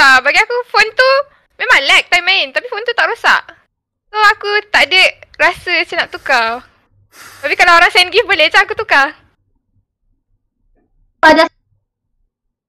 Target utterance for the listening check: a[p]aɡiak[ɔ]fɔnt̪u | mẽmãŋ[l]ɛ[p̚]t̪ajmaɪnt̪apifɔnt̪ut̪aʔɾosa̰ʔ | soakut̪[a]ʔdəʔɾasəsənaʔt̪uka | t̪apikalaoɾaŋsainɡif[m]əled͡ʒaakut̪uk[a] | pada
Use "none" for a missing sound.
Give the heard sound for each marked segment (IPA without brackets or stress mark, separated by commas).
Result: b, u, l, k̚, a, b, a